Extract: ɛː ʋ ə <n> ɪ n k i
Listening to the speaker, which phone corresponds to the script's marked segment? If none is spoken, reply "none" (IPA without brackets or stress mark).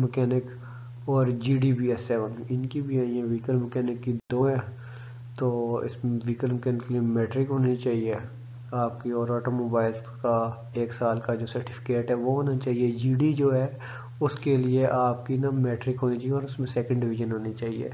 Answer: n